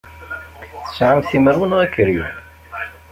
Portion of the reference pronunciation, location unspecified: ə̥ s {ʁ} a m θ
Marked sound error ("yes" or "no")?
yes